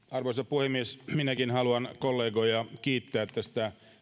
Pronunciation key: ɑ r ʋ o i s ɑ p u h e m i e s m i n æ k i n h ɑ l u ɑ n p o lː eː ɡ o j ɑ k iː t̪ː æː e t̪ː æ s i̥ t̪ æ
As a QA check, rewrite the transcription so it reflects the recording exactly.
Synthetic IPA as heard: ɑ r ʋ o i s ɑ p u h e m i e s m i n æ k i n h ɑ l u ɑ n k o lː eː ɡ o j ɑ k iː t̪ː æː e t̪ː æ s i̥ t̪ æ